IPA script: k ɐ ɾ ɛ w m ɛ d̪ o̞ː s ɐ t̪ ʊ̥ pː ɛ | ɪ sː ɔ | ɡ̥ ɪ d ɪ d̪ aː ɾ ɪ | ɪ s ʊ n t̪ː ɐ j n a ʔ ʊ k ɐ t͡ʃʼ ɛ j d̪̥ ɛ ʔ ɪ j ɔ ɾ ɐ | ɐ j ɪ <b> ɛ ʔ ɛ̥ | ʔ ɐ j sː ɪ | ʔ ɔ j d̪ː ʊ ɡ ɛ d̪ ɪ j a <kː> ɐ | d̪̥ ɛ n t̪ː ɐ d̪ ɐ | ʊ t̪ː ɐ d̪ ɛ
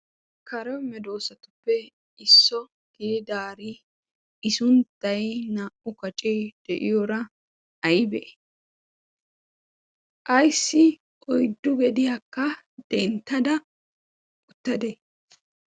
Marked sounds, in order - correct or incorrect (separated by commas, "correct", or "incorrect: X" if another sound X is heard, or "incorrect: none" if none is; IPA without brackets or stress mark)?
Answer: correct, correct